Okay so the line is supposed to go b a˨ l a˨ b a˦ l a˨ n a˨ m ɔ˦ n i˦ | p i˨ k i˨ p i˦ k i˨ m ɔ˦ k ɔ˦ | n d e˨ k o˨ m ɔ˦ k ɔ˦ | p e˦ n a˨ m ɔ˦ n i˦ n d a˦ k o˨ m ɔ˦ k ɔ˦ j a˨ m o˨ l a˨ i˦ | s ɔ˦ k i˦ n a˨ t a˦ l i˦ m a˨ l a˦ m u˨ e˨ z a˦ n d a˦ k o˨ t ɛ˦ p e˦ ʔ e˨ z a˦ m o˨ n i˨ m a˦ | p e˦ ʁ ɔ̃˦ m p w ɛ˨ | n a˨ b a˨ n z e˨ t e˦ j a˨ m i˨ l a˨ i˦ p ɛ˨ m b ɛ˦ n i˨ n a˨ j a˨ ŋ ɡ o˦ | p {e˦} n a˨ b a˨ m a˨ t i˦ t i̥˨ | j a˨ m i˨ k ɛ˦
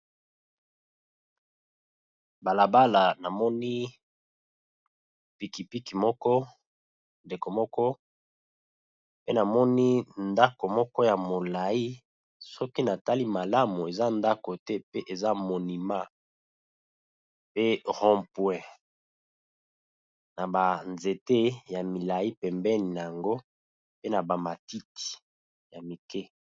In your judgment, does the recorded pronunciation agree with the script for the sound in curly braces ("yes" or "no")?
yes